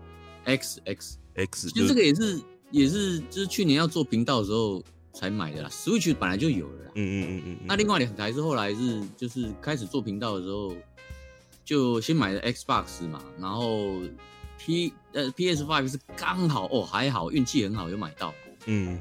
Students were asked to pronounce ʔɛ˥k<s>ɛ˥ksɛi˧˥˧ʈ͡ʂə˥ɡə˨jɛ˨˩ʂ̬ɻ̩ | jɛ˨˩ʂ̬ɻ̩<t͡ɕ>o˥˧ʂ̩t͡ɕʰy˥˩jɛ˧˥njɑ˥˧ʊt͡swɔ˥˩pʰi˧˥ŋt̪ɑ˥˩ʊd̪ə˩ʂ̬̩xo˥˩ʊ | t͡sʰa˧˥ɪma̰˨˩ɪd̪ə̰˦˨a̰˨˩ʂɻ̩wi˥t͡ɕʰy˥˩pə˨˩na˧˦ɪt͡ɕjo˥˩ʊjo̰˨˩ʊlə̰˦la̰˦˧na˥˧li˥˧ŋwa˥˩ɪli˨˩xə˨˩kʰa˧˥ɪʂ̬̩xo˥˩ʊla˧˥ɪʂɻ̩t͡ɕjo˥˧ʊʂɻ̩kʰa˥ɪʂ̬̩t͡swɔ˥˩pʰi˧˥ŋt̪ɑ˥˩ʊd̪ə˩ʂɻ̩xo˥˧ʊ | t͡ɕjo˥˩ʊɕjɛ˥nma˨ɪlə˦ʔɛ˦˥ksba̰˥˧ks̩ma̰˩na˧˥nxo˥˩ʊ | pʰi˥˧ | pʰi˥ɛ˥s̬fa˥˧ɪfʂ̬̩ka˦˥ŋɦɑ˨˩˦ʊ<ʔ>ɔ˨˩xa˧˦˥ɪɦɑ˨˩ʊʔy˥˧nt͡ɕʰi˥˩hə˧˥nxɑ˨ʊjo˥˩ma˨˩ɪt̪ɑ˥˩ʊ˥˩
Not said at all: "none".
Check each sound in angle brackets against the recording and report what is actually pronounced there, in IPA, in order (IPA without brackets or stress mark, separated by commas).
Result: s, t͡ɕ, ʔ